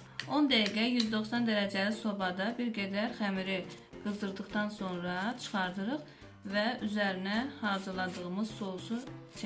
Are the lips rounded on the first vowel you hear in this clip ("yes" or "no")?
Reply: yes